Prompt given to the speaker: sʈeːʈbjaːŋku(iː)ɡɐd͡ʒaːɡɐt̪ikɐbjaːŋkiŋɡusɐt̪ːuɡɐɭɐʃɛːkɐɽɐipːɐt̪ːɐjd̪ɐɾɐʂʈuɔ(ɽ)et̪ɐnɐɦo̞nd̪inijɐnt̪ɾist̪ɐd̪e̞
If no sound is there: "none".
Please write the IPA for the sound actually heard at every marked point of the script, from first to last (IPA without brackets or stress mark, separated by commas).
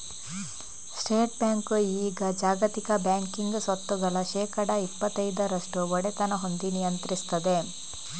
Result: iː, ɽ